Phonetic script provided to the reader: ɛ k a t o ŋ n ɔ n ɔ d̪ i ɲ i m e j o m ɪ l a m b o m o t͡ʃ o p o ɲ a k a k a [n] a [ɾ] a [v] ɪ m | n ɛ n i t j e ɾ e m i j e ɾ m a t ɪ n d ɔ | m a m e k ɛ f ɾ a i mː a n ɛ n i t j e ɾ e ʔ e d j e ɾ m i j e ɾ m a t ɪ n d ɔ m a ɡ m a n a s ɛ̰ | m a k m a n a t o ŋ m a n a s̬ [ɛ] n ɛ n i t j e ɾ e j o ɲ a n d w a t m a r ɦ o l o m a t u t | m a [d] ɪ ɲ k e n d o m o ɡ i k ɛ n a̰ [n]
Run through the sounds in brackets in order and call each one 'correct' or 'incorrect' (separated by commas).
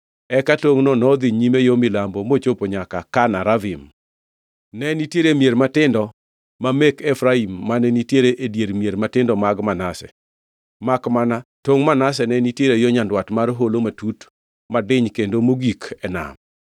correct, correct, correct, correct, correct, incorrect